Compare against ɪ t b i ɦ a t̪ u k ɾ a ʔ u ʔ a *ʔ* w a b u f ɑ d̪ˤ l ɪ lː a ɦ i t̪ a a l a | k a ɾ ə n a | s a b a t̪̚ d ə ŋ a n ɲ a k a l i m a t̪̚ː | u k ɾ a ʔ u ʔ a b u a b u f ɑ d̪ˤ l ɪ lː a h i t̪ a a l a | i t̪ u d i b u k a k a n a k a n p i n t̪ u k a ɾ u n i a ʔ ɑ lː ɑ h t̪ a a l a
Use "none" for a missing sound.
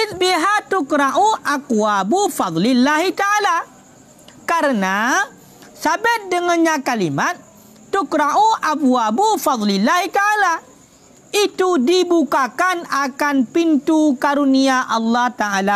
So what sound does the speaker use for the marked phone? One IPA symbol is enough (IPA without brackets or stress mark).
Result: k